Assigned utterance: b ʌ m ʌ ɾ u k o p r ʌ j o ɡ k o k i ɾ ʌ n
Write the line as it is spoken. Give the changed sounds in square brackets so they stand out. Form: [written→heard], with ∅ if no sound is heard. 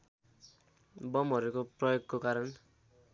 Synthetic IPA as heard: b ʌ m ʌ ɾ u k o p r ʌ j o ɡ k o k [i→a] ɾ ʌ n